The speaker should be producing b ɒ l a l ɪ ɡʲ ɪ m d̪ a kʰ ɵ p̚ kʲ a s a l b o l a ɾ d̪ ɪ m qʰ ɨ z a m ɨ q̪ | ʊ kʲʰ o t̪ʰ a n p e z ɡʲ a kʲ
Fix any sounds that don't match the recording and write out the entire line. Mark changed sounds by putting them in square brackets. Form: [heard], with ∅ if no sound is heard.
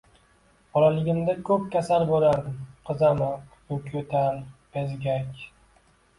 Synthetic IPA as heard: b ɒ l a l ɪ ɡʲ ɪ m d̪ a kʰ ɵ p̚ kʲ a s a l b o l a ɾ d̪ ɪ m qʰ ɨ z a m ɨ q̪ | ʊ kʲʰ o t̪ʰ a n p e z ɡʲ a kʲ